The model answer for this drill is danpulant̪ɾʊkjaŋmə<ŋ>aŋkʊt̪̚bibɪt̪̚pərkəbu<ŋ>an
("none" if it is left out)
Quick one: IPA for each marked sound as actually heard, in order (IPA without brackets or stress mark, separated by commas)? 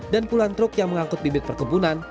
ŋ, n